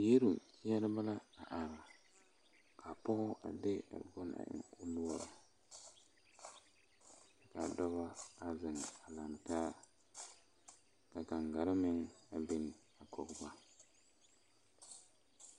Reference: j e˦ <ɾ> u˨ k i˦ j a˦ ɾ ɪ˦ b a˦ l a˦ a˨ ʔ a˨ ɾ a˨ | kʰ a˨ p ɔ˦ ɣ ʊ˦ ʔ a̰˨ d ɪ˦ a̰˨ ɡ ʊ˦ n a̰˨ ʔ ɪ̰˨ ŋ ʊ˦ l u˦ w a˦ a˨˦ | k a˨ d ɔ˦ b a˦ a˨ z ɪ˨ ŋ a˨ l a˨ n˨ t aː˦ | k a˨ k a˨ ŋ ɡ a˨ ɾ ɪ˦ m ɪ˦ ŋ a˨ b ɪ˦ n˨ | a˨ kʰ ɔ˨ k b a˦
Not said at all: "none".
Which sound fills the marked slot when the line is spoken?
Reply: ɾ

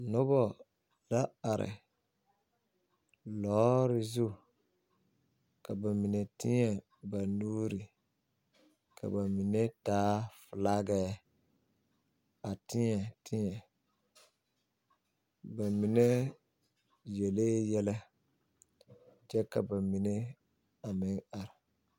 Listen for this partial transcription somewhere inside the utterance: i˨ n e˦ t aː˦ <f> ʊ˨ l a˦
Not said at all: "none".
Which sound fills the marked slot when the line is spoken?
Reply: f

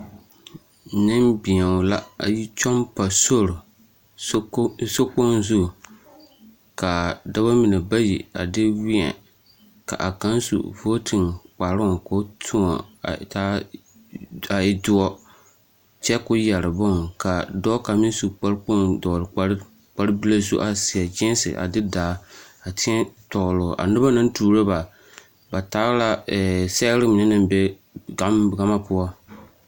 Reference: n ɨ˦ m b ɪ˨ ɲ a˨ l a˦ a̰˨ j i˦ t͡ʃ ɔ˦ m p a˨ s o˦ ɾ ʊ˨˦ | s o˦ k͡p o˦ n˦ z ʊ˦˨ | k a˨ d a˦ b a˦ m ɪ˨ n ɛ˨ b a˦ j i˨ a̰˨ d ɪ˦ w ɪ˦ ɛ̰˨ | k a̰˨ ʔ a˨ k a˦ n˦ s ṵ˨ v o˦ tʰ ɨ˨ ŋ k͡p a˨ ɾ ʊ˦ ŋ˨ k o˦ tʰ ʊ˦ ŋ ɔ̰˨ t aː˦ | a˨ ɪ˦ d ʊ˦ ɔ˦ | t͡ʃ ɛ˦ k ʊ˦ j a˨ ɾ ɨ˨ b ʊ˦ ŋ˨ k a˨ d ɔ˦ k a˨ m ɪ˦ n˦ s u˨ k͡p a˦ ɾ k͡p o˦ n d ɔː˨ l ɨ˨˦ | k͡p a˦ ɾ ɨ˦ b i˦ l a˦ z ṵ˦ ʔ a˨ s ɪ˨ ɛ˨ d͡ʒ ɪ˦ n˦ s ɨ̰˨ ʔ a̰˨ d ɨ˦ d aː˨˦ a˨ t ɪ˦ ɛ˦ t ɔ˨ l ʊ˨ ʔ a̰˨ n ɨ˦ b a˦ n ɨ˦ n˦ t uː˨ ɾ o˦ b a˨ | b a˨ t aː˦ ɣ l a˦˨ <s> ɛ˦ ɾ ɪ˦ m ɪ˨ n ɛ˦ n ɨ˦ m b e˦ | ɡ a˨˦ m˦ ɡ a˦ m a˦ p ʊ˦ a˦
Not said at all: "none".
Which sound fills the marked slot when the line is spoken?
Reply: s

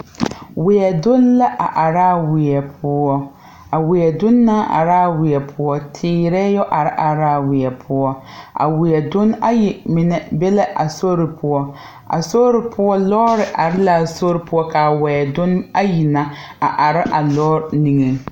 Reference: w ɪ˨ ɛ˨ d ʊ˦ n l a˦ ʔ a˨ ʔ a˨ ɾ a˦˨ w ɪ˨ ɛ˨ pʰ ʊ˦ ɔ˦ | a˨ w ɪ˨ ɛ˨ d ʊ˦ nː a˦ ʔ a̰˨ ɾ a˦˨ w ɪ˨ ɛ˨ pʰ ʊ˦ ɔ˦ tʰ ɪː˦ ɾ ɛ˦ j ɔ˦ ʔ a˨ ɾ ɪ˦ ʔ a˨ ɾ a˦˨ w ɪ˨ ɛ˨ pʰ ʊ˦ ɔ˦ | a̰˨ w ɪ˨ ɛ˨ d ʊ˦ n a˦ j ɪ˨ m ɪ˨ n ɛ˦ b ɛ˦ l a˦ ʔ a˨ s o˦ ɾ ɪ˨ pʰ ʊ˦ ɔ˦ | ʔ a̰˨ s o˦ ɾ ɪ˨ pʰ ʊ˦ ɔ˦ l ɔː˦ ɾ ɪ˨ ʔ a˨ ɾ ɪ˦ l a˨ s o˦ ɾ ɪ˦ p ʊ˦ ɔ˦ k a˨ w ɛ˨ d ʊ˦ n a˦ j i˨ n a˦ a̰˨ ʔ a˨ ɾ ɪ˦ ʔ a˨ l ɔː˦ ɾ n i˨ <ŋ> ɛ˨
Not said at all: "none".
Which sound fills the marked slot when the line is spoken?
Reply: ŋ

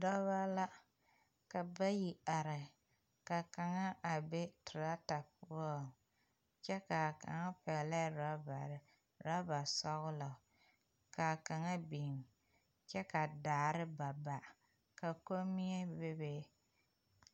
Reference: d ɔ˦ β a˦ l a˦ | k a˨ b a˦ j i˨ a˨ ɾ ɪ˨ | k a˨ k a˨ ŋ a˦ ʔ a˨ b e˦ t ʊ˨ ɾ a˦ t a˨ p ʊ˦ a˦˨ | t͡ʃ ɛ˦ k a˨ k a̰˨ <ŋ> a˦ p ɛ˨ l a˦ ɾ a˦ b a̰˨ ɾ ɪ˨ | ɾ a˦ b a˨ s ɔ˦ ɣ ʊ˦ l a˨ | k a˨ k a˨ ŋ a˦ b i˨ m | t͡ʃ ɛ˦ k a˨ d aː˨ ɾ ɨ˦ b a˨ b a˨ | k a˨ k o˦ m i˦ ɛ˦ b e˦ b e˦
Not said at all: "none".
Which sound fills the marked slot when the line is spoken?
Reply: ŋ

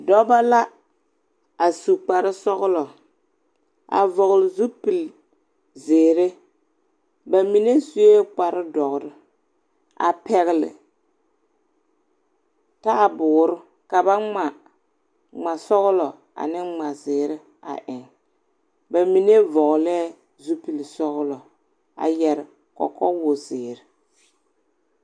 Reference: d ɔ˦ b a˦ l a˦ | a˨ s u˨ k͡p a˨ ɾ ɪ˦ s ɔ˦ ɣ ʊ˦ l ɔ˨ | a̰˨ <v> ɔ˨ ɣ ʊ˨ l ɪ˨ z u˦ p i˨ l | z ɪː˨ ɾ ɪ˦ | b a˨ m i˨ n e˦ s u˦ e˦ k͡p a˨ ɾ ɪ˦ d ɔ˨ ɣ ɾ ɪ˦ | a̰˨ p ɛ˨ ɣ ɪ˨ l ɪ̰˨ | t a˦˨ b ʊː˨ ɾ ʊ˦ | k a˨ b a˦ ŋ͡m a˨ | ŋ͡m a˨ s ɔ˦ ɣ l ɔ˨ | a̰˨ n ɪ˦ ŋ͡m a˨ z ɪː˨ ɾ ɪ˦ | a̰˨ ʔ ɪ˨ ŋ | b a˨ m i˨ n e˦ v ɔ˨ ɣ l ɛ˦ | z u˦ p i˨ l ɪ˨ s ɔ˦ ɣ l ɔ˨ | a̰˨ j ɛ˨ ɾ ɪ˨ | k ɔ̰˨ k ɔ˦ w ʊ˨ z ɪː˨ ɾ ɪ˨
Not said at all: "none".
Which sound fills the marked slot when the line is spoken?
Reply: v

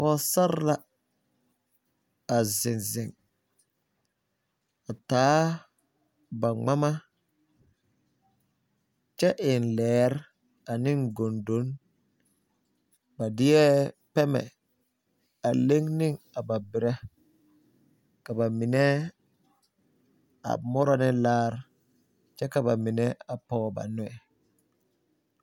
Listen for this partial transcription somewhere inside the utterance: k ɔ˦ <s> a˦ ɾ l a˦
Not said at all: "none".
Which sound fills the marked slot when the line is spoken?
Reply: s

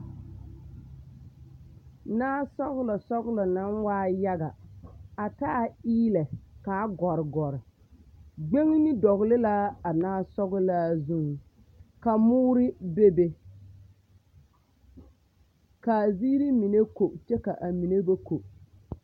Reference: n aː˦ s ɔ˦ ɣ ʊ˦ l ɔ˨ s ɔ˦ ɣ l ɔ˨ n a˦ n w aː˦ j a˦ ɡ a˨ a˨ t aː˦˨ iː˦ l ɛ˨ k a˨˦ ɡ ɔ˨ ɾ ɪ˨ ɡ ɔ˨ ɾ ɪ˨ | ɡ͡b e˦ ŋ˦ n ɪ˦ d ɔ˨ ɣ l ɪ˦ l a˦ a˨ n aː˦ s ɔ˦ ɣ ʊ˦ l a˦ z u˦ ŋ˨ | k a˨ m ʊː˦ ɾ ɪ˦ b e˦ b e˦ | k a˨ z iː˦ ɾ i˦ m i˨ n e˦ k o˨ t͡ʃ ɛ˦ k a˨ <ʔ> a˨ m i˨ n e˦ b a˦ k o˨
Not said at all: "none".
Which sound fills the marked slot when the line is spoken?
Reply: ʔ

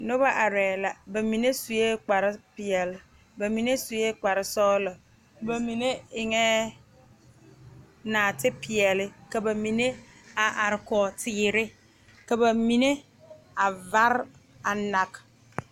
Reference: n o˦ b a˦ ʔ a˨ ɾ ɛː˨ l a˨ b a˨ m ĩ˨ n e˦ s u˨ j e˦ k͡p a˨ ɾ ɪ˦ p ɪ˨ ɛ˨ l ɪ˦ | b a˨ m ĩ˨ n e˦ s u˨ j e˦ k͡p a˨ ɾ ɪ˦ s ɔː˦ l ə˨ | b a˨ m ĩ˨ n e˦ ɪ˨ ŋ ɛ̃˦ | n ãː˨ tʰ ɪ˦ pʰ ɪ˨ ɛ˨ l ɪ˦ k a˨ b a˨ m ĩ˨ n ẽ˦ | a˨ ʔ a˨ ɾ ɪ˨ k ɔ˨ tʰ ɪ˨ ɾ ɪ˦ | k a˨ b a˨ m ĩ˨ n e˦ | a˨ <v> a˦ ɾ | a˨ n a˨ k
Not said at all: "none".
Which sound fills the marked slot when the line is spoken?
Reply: v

